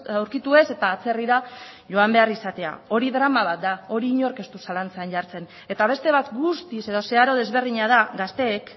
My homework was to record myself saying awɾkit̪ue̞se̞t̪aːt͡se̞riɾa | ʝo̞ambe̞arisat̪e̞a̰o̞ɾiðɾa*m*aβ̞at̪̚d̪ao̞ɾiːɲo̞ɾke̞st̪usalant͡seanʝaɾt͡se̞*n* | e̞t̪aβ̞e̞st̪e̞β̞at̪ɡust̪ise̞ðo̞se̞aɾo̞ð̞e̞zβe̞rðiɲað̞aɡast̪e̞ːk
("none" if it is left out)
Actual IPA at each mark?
m, n

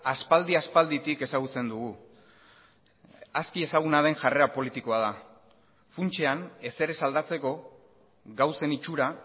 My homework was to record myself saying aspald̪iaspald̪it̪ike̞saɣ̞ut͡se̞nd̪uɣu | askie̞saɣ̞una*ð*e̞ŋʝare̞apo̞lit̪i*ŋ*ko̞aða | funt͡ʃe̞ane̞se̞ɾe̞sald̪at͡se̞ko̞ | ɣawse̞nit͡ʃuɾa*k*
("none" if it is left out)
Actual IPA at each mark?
ð, none, none

